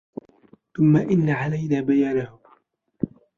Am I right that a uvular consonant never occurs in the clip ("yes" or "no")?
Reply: yes